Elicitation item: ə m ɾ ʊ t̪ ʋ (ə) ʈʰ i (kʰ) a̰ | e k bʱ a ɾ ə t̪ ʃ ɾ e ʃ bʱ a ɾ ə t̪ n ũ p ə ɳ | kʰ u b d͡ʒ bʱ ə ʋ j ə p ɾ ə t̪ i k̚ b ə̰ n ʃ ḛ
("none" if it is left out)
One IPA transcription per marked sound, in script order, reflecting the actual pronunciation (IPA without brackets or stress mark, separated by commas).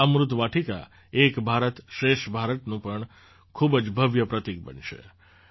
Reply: a, k